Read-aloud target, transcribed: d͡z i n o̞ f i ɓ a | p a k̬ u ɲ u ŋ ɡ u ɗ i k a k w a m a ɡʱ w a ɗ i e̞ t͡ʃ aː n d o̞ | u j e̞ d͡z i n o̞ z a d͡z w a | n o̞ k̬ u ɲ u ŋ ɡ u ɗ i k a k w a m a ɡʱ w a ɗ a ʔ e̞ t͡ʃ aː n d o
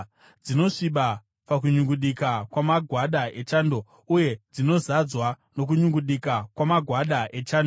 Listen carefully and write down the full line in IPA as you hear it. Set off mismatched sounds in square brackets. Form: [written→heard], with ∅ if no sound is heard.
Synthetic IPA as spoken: d͡z i n o̞ [f→ʂ] i ɓ a | p a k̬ u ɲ u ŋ ɡ u ɗ i k a k w a m a ɡʱ w a ɗ [i→a] e̞ t͡ʃ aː n d o̞ | u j e̞ d͡z i n o̞ z a d͡z w a | n o̞ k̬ u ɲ u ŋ ɡ u ɗ i k a k w a m a ɡʱ w a ɗ a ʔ e̞ t͡ʃ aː n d o